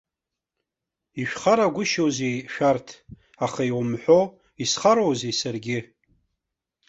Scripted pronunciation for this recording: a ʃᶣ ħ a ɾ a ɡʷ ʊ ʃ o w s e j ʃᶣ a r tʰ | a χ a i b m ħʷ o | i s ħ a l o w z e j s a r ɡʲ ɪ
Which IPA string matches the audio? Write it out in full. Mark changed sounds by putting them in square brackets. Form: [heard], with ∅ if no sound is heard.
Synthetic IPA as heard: [i] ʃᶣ [χ] a ɾ a ɡʷ ʊ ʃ o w [z] e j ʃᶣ a r tʰ | a χ a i [w] m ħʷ o | i s [χ] a [ɾ] o w z e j s a r ɡʲ ɪ